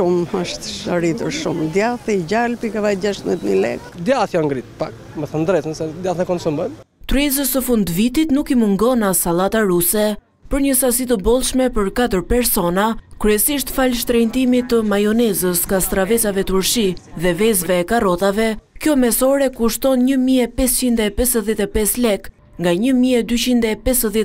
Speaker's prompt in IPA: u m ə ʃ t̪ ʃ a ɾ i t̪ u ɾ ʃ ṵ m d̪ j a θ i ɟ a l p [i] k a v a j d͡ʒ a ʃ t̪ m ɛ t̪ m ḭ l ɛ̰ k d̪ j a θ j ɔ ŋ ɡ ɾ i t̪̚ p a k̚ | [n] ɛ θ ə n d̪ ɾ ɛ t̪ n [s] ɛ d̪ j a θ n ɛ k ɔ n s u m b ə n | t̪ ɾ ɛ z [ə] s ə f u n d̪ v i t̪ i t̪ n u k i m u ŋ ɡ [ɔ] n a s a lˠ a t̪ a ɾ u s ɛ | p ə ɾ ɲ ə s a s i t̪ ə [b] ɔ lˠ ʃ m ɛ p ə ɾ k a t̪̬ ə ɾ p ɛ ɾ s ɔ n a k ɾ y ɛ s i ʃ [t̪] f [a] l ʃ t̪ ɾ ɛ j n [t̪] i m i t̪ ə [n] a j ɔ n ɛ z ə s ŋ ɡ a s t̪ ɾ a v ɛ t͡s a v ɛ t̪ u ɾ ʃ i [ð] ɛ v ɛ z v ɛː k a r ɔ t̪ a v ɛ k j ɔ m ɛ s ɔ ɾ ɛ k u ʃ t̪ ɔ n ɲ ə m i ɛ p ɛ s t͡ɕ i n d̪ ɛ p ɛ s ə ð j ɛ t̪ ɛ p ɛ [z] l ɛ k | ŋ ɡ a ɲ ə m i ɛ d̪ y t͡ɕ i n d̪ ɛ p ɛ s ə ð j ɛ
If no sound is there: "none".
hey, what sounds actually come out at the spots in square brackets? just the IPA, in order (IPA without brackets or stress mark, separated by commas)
i, m, s, ə, ɔ, b, t̪, a, t̪, m, ð, s